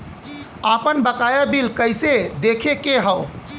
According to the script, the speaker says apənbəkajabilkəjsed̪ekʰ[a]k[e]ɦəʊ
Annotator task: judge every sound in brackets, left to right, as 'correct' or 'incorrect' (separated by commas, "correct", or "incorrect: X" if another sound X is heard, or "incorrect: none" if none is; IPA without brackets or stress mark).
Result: incorrect: e, correct